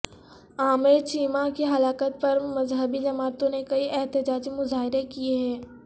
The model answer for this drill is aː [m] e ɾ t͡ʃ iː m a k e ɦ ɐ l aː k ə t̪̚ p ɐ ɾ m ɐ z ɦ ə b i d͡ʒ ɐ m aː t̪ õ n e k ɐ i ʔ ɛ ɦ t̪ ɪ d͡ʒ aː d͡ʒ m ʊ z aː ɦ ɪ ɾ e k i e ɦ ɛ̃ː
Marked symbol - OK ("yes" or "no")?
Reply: yes